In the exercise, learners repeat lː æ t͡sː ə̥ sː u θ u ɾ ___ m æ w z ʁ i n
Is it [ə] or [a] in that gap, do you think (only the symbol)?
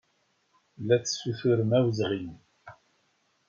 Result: ə